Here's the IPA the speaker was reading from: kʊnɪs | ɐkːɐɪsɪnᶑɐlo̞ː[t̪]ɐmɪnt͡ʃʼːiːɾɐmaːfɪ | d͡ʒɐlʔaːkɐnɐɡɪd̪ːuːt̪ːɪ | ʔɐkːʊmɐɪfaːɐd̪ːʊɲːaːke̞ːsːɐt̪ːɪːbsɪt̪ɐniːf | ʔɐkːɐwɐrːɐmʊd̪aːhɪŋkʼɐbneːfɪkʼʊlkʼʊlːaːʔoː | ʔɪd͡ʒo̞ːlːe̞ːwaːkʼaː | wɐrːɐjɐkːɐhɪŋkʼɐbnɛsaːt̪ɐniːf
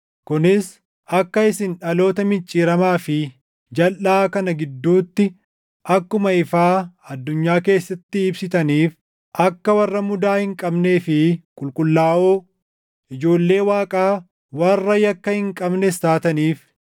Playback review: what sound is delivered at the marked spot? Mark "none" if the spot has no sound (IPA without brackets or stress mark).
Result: t̪